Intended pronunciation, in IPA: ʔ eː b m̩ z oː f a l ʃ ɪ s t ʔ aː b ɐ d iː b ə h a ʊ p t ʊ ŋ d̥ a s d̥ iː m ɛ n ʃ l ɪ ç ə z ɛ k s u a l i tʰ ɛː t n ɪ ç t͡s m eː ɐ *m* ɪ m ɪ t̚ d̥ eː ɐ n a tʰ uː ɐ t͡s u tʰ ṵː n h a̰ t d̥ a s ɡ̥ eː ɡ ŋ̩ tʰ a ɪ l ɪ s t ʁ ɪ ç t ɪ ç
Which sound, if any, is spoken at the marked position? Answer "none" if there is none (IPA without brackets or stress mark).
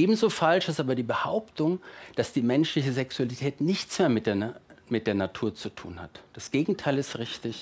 m